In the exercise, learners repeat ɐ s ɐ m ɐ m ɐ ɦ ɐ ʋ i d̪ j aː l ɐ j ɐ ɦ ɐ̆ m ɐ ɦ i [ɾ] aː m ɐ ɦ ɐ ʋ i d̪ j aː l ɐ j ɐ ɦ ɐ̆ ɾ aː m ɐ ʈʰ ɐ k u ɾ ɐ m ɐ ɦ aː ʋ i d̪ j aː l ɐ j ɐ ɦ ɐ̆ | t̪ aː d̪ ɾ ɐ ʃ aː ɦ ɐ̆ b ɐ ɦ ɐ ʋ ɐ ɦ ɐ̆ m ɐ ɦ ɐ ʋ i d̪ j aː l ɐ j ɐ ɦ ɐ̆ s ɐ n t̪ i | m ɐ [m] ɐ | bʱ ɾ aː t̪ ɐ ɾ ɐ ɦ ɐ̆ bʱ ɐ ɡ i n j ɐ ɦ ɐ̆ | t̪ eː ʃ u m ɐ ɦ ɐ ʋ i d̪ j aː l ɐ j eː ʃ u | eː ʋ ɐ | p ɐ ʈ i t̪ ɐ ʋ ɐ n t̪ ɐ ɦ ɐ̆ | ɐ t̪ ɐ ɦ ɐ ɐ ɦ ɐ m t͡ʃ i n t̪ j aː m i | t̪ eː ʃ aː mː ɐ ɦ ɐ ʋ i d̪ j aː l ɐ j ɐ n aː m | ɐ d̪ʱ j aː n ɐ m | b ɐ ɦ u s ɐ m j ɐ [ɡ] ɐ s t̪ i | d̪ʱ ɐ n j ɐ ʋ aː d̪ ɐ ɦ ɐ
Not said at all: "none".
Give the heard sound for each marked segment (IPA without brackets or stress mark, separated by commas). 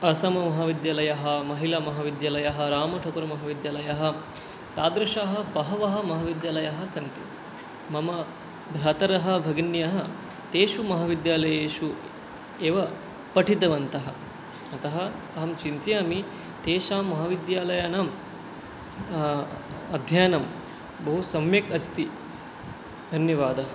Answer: l, m, k